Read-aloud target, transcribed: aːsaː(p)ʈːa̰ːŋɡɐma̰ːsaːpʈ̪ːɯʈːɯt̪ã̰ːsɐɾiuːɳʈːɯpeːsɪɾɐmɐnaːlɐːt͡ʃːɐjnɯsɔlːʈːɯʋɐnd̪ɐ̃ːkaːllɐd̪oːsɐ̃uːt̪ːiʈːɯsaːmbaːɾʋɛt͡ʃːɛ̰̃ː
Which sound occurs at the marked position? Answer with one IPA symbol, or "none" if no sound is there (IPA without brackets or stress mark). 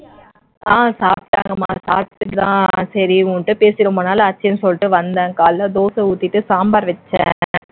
p